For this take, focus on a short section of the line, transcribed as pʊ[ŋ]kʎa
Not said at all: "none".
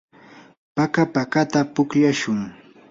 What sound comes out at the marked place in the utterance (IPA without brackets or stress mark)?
none